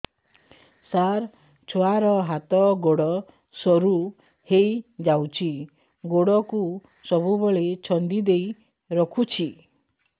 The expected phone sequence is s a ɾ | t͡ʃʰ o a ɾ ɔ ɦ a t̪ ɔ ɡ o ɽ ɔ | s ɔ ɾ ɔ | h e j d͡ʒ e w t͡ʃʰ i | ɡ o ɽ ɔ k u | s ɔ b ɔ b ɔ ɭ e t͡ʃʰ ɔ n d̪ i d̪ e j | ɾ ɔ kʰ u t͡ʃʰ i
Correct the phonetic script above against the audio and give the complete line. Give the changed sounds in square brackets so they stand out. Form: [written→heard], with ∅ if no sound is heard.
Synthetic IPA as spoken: s a ɾ | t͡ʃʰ o a ɾ ɔ ɦ a t̪ ɔ ɡ o ɽ ɔ | s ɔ ɾ [ɔ→u] | h e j d͡ʒ [e→a] w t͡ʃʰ i | ɡ o ɽ ɔ k u | s ɔ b [ɔ→u] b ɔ ɭ e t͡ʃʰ ɔ n d̪ i d̪ e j | ɾ ɔ kʰ u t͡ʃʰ i